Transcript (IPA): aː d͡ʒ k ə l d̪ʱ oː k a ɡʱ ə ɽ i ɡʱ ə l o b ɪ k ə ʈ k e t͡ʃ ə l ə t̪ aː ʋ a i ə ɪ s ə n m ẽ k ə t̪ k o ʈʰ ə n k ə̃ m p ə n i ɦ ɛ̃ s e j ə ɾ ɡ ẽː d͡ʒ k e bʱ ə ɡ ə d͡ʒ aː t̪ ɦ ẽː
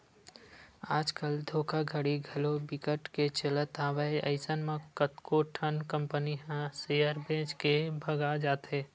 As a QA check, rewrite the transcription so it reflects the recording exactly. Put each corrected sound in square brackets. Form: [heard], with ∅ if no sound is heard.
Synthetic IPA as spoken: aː d͡ʒ k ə l d̪ʱ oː k a ɡʱ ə ɽ i ɡʱ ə l o b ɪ k ə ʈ k e t͡ʃ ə l ə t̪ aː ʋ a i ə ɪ s ə n m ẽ k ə t̪ k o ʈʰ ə n k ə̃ m p ə n i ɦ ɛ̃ s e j ə ɾ [b] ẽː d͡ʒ k e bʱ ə ɡ [a] d͡ʒ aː t̪ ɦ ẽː

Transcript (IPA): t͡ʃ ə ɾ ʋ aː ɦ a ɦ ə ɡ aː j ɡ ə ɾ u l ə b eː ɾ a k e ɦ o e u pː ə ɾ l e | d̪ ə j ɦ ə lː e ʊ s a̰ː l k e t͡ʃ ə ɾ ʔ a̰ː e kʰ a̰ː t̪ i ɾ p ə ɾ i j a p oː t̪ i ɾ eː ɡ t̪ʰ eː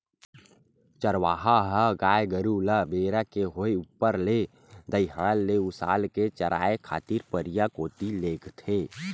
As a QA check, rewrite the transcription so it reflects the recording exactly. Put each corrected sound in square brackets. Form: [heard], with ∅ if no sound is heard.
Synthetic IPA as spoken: t͡ʃ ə ɾ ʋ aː ɦ a ɦ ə ɡ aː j ɡ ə ɾ u l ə b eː ɾ a k e ɦ o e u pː ə ɾ l e | d̪ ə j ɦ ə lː e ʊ s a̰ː l k e t͡ʃ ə ɾ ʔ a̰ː e kʰ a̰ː t̪ i ɾ p ə ɾ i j a [k] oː t̪ i [l] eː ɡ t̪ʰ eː

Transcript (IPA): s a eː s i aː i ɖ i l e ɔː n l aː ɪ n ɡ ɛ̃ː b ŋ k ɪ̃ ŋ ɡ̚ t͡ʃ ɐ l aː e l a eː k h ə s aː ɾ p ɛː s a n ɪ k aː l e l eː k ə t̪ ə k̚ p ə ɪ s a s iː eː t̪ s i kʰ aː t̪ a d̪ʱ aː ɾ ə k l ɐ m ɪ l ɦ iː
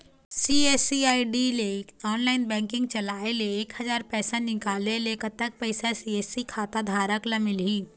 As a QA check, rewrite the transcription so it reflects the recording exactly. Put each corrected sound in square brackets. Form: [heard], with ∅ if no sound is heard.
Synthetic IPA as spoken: s [i] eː s i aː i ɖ i l e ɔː n l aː ɪ n [b] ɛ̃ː [∅] ŋ k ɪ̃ ŋ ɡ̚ t͡ʃ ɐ l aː e l [e] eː k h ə [z] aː ɾ p ɛː s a n ɪ k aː l e l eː k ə t̪ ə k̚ p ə ɪ s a s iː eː [∅] s i kʰ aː t̪ a d̪ʱ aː ɾ ə k l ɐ m ɪ l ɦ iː

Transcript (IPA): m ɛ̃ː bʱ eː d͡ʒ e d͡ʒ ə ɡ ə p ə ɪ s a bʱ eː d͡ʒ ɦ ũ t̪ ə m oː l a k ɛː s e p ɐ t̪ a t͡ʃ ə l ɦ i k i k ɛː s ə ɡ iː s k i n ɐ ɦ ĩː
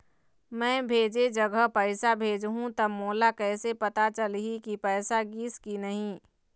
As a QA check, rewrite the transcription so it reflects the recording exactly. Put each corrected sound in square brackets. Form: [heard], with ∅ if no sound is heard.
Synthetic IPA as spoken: m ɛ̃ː bʱ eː d͡ʒ e d͡ʒ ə ɡ ə p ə ɪ s a bʱ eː d͡ʒ ɦ ũ t̪ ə m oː l a k ɛː s e p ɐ t̪ a t͡ʃ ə l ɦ i k i [p] ɛː s [a] ɡ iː s k i n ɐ ɦ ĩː

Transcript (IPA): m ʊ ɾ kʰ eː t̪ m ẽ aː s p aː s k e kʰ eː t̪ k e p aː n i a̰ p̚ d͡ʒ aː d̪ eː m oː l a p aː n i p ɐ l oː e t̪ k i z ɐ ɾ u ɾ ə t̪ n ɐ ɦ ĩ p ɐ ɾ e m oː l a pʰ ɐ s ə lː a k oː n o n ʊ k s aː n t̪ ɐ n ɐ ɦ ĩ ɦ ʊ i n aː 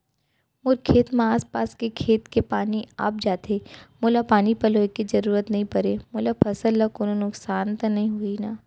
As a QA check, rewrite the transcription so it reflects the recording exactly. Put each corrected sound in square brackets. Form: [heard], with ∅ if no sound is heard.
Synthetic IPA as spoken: m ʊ ɾ kʰ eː t̪ m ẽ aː s p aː s k e kʰ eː t̪ k e p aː n i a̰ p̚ d͡ʒ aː [t̪] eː m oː l a p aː n i p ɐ l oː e [∅] k i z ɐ ɾ [uː] ɾ ə t̪ n ɐ ɦ ĩ p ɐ ɾ e m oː l a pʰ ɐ s ə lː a k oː n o n ʊ k s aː n t̪ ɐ n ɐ ɦ ĩ ɦ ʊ i n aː

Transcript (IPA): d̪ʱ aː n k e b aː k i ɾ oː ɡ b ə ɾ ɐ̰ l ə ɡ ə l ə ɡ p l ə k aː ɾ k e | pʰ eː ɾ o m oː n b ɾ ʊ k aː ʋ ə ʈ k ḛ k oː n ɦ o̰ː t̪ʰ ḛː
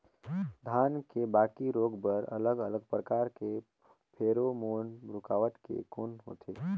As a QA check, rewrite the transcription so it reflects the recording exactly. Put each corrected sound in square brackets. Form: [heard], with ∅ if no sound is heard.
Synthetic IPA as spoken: d̪ʱ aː n k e b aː k i ɾ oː ɡ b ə ɾ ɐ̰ l ə ɡ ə l ə ɡ p [ɾ] ə k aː ɾ k e | pʰ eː ɾ o m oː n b ɾ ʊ k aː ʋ ə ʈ k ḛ k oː n ɦ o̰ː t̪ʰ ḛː

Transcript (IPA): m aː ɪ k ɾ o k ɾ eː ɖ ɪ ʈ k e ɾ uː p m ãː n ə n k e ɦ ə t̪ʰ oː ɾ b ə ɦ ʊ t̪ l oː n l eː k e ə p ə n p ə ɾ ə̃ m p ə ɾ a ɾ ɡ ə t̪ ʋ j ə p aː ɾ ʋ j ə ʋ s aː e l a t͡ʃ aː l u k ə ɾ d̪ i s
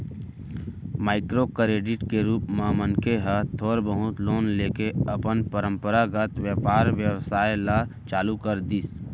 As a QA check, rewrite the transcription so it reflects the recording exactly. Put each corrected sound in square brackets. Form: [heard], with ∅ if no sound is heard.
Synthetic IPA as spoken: m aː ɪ k ɾ o k ɾ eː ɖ ɪ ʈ k e ɾ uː p m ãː [m] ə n k e ɦ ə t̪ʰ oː ɾ b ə ɦ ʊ t̪ l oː n l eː k e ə p ə n p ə ɾ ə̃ m p ə ɾ a [∅] ɡ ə t̪ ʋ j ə p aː ɾ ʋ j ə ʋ s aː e l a t͡ʃ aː l u k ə ɾ d̪ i s

